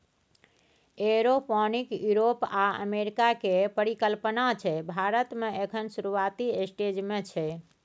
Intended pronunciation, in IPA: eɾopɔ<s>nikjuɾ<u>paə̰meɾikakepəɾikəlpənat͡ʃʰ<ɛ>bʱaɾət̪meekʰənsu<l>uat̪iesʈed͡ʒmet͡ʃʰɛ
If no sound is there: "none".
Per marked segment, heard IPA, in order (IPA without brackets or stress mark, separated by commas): none, o, ɛ, ɾ